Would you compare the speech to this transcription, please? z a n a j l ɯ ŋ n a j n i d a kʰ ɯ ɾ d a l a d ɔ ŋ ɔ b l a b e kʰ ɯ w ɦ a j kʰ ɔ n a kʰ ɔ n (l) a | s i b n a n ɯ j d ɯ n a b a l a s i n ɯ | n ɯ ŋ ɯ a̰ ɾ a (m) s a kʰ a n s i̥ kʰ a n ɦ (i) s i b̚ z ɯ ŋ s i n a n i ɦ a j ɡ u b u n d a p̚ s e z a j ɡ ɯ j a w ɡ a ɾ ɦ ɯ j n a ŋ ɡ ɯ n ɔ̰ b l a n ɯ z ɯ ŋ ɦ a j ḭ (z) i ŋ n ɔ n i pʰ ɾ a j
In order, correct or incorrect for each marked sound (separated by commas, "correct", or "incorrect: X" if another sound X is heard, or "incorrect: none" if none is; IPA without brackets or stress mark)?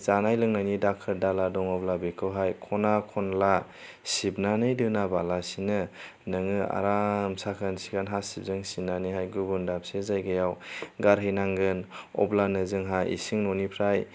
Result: correct, correct, incorrect: a, incorrect: s